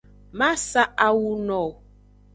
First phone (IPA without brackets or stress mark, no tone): m